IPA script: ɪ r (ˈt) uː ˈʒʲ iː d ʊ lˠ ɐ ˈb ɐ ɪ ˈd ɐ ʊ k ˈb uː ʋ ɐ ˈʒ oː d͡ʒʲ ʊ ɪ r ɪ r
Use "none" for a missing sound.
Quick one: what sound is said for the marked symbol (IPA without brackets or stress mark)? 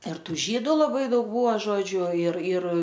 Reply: t